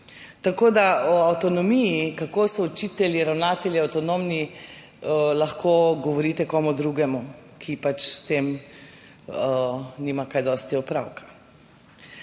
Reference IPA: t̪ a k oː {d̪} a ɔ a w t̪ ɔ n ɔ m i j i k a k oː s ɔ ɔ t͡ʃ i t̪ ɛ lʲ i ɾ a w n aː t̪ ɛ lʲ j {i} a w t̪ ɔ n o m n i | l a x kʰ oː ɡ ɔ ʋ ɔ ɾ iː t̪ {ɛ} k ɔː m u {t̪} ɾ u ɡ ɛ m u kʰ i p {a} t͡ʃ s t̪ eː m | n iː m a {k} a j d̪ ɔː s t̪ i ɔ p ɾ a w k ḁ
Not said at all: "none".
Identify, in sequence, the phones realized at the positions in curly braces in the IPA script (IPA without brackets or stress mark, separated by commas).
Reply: d̪, i, ɛ, d̪, a, k